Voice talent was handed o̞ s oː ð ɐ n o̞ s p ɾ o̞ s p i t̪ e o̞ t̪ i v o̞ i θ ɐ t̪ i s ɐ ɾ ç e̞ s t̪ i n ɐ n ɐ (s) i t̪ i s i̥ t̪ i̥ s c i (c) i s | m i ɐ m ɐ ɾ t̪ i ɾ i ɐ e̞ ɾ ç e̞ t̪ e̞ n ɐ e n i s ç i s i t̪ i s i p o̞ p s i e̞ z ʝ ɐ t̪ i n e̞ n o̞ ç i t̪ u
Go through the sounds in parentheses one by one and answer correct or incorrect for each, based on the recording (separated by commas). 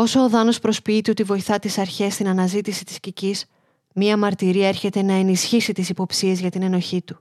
incorrect, correct